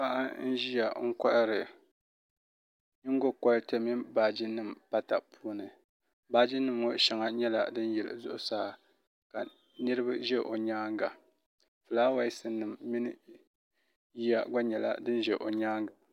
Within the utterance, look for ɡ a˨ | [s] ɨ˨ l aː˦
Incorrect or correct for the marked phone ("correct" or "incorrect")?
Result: incorrect